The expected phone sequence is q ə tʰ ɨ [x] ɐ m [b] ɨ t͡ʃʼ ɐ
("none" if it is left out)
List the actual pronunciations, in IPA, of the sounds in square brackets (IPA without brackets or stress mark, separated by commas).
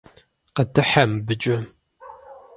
ħ, b